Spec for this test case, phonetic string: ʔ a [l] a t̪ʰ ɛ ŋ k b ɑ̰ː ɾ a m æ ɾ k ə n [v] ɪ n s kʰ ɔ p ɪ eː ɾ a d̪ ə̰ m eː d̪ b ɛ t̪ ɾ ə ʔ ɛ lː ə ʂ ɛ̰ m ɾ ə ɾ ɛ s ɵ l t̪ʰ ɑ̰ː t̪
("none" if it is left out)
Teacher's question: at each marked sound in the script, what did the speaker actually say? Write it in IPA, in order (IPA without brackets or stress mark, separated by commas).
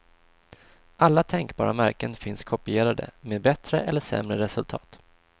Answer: lː, f